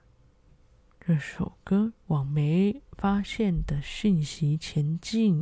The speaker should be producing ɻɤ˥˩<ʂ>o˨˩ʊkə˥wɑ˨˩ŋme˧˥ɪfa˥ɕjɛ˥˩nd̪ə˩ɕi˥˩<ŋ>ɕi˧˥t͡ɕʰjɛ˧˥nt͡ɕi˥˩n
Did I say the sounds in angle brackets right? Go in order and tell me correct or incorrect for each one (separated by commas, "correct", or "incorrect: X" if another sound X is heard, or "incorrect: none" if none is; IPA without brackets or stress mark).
correct, incorrect: n